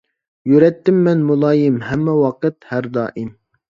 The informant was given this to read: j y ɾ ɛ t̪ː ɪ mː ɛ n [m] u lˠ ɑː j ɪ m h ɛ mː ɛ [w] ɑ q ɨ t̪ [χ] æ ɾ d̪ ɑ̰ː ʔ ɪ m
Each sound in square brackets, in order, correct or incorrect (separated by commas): correct, correct, incorrect